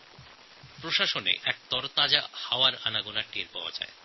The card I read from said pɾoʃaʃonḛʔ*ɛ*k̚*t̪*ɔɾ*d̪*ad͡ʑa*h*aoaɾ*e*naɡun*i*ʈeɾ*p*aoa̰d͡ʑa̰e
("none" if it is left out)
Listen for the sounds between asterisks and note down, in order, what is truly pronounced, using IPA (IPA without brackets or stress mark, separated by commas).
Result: ɛ, t̪, t̪, h, a, a, p